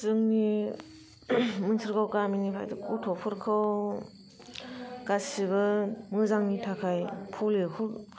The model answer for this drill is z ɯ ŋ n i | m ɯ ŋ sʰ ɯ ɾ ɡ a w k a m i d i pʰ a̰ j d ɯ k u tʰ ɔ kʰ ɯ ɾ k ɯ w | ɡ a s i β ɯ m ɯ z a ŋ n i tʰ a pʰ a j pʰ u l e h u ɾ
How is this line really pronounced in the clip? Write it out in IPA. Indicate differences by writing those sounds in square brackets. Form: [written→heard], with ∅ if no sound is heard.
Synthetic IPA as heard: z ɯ ŋ n i | m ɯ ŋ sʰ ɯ ɾ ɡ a w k a m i [d→n] i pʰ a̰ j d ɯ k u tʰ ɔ [kʰ→pʰ] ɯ ɾ [k→kʰ] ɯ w | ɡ a s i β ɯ m ɯ z a ŋ n i tʰ a [pʰ→kʰ] a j pʰ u l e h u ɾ